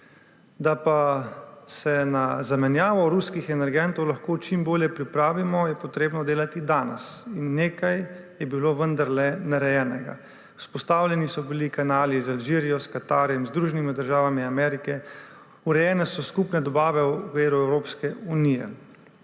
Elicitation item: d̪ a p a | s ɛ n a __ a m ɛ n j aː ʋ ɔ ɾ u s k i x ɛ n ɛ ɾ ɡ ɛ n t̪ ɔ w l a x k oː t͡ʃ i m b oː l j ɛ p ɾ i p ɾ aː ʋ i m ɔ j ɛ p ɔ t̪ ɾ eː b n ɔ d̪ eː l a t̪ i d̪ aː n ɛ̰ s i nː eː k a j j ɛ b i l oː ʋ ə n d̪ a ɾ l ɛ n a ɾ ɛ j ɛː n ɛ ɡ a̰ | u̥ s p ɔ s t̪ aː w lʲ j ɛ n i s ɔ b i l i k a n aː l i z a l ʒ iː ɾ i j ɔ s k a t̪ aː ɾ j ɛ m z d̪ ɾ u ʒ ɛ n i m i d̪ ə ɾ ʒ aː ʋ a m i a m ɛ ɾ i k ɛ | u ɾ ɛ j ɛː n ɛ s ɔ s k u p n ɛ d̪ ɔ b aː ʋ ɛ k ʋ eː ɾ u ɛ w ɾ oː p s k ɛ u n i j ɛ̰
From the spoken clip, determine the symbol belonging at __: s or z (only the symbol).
z